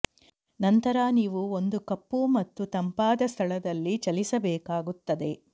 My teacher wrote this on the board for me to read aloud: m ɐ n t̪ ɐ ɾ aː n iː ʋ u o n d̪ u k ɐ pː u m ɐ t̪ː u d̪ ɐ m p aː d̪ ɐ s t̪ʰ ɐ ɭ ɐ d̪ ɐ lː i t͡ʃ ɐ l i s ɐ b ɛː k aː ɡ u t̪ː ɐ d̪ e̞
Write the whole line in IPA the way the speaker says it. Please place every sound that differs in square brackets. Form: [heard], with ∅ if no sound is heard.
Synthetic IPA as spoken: [n] ɐ n t̪ ɐ ɾ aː n iː ʋ u o n d̪ u k ɐ pː u m ɐ t̪ː u [t̪] ɐ m p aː d̪ ɐ s t̪ʰ ɐ ɭ ɐ d̪ ɐ lː i t͡ʃ ɐ l i s ɐ b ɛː k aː ɡ u t̪ː ɐ d̪ e̞